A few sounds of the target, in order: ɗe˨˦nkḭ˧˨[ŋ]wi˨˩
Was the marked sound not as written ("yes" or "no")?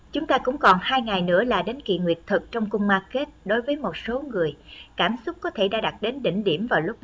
no